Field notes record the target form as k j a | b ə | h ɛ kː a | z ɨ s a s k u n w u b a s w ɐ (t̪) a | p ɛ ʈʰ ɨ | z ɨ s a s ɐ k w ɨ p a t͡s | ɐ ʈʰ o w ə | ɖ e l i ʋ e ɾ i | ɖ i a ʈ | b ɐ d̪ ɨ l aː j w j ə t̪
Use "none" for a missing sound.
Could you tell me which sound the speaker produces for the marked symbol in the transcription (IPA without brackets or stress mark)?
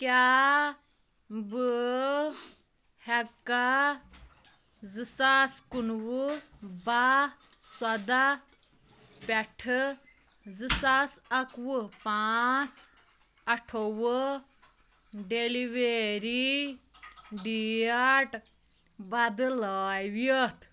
d̪